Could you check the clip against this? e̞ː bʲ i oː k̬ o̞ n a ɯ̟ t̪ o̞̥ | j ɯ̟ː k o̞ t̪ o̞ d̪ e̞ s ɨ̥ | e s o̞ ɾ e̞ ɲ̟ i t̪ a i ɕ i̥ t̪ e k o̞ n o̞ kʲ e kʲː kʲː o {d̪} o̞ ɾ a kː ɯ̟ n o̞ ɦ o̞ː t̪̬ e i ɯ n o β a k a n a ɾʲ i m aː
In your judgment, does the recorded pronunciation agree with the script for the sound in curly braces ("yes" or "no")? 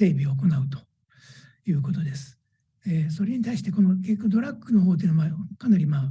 yes